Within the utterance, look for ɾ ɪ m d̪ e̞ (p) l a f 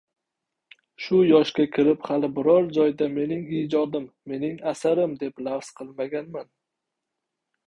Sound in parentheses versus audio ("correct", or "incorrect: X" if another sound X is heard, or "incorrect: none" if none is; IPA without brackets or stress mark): correct